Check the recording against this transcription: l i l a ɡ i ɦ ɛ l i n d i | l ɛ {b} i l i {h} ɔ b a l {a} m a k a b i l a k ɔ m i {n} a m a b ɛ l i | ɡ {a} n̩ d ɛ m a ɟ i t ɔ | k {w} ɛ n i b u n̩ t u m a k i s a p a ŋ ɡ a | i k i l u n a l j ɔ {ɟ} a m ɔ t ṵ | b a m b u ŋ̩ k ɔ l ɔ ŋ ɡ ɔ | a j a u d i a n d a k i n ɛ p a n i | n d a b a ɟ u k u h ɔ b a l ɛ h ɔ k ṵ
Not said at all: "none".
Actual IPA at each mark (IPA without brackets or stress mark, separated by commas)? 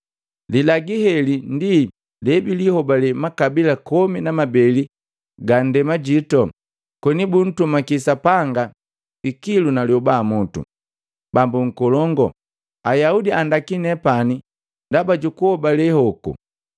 b, h, ɛ, n, a, w, b